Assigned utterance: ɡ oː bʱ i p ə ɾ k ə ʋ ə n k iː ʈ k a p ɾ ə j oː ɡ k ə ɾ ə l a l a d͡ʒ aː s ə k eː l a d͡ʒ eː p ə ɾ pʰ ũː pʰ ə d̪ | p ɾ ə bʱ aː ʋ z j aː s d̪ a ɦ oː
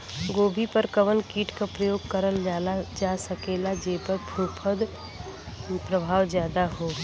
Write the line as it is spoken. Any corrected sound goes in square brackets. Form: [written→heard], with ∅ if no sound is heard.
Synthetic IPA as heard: ɡ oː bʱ i p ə ɾ k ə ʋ ə n k iː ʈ k a p ɾ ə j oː ɡ k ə ɾ ə l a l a d͡ʒ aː s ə k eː l a d͡ʒ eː p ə ɾ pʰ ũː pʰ ə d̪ | p ɾ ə bʱ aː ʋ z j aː [s→∅] d̪ a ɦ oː